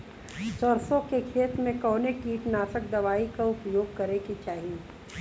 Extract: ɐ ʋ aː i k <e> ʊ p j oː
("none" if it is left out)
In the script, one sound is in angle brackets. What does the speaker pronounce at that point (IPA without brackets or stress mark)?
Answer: a